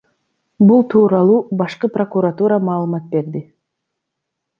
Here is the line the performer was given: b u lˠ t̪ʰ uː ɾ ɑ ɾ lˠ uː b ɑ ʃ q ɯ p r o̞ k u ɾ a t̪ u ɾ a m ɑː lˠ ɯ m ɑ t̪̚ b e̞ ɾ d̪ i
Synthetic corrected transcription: b u lˠ t̪ʰ uː ɾ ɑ lˠ uː b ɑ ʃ q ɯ p r o̞ k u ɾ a t̪ u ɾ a m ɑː lˠ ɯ m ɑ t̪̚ b e̞ ɾ d̪ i

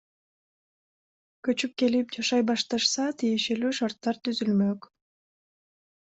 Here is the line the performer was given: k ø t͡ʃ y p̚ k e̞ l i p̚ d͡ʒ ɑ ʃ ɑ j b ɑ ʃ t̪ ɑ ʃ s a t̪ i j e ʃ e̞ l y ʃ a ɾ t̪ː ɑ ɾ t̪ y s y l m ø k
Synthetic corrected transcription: k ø t͡ʃ y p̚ k e̞ l i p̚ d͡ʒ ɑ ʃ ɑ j b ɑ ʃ t̪ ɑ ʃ s ɑ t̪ i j e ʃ e̞ l y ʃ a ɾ t̪ː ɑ ɾ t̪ y z y l m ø k

